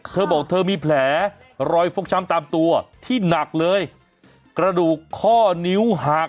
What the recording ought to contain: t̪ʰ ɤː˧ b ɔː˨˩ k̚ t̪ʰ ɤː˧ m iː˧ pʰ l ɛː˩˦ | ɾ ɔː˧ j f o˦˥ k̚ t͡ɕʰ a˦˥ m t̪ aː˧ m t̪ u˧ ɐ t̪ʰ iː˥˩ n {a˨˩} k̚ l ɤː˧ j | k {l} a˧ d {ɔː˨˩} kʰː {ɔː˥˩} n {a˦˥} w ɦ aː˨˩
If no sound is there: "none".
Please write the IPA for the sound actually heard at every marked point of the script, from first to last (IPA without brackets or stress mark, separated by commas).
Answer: a˨˩, ɾ, uː˨˩, ɔː˥˩, i˦˥